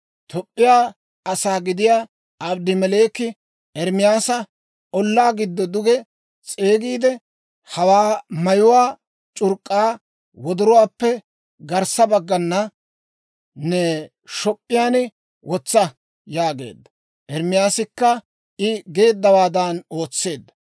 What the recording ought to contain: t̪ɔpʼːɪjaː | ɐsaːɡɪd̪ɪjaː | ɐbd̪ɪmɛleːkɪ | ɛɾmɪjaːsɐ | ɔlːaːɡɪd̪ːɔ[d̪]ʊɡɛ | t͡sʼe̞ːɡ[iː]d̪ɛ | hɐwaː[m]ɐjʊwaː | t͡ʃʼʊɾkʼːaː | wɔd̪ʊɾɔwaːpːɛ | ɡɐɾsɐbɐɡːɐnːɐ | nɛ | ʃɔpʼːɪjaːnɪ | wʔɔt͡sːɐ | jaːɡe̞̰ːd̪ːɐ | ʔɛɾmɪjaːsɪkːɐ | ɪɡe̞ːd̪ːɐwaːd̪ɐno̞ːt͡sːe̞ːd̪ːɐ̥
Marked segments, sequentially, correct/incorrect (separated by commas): correct, correct, correct